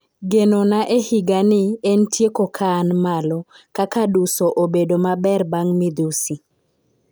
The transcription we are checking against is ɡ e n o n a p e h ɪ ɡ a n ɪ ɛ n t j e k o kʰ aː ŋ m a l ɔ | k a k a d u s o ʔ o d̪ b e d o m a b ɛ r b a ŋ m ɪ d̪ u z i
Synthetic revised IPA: ɡ e n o n a ʔ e h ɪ ɡ a n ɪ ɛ n t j e k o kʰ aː n m a l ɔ | k a k a d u s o ʔ o b e d o m a b ɛ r b a ŋ m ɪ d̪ u s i